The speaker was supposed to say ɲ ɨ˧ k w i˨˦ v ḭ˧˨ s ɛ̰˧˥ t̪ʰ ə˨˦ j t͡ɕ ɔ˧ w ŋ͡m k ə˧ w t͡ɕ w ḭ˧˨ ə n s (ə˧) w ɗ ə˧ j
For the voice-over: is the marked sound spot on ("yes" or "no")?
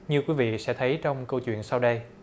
no